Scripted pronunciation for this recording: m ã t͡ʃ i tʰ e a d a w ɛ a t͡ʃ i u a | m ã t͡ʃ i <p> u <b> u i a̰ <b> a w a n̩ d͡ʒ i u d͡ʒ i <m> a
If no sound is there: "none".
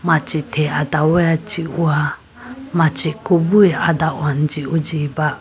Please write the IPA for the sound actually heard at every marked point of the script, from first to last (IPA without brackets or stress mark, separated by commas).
k, b, d, b